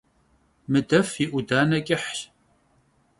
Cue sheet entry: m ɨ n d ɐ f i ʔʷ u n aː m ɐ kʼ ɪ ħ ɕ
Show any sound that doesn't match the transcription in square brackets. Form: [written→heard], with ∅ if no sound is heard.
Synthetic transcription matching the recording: m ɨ [n→∅] d ɐ f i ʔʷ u [n→d] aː [m→n] ɐ kʼ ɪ ħ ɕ